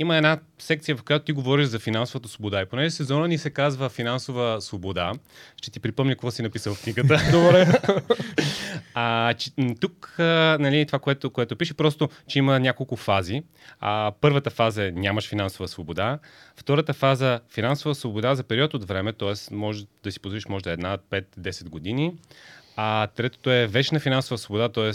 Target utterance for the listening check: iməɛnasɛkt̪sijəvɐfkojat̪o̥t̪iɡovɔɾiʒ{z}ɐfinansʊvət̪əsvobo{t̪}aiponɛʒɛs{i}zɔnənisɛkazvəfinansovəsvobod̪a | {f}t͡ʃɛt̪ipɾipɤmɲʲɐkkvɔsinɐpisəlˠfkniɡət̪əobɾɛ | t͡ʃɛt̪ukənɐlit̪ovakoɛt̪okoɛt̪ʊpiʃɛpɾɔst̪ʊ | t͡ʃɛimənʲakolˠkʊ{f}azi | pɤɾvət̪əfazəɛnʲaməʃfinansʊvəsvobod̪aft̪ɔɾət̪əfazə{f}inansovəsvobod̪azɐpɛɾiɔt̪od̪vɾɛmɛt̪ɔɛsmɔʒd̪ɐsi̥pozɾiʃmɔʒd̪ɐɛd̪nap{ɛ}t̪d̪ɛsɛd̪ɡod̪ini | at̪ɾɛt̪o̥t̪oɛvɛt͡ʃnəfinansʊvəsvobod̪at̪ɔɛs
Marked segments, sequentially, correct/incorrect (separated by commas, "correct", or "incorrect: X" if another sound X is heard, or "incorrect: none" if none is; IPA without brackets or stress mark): correct, incorrect: d̪, incorrect: ɛ, incorrect: ʃ, correct, correct, correct